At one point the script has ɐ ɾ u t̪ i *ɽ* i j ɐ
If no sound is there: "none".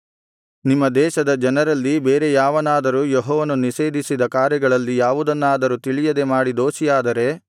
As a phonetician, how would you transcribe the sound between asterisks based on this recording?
ɭ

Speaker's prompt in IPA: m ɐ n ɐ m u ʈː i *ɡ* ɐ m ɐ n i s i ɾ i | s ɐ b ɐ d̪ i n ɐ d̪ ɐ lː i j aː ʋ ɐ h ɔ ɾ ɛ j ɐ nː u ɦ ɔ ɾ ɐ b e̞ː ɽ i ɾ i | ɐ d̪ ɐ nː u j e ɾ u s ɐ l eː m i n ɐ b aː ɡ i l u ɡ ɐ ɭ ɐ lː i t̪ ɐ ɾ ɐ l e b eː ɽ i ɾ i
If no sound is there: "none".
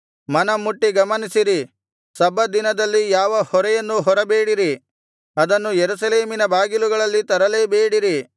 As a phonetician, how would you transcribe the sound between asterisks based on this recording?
ɡ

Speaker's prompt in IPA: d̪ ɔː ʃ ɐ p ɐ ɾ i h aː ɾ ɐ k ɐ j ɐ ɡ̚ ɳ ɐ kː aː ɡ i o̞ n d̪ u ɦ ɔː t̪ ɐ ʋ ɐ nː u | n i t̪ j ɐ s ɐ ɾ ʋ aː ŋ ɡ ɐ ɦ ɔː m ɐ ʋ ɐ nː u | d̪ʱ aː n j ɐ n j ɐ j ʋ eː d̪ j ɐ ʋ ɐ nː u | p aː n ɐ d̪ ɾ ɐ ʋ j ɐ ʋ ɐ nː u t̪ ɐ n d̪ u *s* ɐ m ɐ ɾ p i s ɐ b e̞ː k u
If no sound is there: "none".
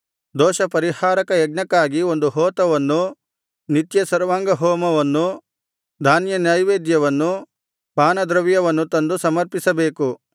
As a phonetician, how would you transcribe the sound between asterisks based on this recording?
s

